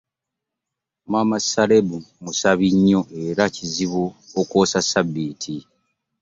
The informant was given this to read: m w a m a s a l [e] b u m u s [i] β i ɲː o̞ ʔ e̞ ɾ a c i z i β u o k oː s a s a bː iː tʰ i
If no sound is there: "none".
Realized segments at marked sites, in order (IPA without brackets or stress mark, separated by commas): e, a